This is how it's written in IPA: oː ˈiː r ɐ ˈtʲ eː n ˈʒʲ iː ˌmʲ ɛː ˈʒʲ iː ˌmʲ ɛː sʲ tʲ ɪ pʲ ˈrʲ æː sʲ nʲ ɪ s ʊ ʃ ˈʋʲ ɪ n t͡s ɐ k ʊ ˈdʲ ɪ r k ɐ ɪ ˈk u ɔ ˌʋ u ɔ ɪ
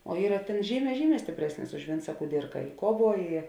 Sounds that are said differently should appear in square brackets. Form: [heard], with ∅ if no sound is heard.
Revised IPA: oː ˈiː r ɐ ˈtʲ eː n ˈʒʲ iː ˌmʲ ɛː ˈʒʲ iː ˌmʲ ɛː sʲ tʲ ɪ pʲ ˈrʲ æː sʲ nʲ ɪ s ʊ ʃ ˈʋʲ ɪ n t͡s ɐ k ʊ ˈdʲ ɪ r k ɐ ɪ ˈk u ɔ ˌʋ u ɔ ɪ